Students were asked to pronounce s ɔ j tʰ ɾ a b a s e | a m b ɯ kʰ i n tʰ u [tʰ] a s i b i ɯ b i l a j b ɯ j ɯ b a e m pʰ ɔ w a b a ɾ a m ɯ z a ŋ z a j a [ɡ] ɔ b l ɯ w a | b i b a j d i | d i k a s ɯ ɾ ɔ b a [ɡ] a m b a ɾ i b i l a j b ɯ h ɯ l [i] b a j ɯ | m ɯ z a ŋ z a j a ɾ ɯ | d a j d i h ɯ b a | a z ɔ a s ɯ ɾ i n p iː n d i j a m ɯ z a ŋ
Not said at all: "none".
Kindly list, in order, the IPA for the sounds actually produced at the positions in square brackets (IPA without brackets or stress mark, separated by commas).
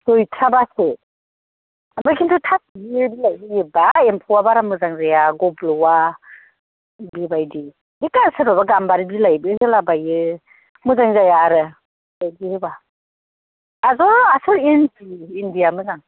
tʰ, ɡ, ɡ, a